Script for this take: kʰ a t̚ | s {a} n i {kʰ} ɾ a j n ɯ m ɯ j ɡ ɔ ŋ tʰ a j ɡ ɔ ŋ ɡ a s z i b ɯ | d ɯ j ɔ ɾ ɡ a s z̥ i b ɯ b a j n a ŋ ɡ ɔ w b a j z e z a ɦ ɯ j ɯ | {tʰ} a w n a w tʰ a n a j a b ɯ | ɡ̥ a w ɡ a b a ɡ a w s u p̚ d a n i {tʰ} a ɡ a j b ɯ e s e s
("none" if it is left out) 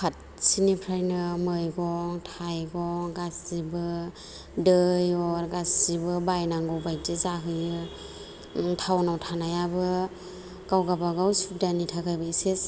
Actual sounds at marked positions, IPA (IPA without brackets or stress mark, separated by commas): i, pʰ, tʰ, tʰ